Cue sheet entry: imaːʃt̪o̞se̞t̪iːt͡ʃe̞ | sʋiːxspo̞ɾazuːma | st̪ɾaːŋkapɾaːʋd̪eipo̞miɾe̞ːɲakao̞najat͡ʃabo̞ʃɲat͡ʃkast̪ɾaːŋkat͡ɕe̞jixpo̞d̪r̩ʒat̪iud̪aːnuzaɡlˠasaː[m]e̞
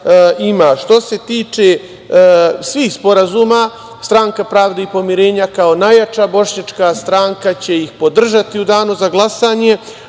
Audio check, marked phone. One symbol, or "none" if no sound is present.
ɲ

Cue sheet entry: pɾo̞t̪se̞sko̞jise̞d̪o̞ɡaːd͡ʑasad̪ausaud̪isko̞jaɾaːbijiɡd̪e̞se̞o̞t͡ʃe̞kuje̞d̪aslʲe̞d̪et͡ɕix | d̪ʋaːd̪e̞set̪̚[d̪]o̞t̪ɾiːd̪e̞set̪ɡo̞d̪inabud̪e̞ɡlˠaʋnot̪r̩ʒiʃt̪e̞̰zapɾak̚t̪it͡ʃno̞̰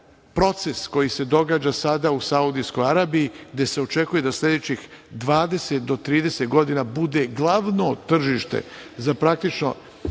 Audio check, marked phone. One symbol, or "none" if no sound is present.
d̪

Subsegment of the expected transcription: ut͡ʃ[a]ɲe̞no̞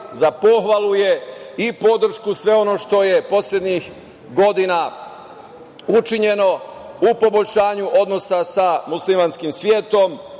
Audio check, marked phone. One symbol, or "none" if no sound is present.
i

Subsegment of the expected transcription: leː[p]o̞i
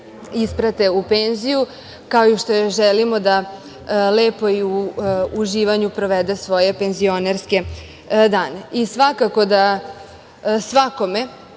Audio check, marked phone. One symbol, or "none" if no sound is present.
p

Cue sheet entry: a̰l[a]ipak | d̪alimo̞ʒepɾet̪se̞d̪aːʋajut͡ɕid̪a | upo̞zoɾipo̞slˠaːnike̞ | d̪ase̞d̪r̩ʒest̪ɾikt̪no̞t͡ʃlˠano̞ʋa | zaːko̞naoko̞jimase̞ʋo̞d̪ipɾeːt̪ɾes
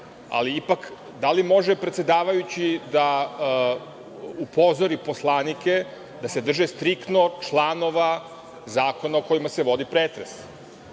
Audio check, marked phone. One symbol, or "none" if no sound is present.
i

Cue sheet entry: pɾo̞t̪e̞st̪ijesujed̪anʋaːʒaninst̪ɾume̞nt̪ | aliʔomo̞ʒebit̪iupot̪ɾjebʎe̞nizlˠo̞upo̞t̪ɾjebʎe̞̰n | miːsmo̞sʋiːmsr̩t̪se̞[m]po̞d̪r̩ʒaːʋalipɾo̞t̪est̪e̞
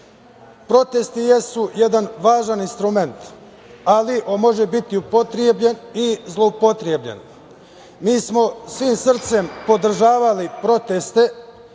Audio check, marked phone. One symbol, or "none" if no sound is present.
m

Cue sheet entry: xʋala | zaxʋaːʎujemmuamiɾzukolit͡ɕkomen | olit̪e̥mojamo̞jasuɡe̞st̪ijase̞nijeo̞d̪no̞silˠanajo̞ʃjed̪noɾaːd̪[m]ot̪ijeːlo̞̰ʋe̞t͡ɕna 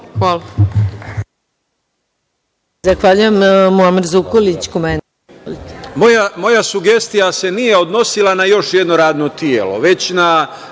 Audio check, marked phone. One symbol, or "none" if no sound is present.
n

